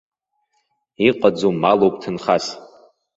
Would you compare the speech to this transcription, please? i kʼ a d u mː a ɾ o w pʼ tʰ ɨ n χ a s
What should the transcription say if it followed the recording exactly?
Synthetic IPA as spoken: i qʼ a d͡z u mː a l o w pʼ tʰ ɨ n χ a s